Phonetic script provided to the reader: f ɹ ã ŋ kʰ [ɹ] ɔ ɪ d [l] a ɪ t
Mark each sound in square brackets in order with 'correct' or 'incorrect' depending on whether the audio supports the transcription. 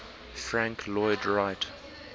incorrect, incorrect

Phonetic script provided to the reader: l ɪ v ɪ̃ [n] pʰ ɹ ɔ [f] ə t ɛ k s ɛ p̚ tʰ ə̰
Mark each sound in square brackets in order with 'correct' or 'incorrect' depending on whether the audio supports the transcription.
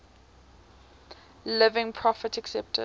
incorrect, correct

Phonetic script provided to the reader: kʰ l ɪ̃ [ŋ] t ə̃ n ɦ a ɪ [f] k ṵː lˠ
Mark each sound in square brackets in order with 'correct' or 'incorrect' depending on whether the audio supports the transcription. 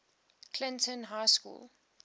incorrect, incorrect

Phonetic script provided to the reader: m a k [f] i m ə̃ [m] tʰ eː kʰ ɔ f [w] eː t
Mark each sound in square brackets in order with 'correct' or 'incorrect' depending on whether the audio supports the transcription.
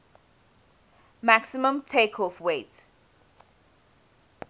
incorrect, correct, correct

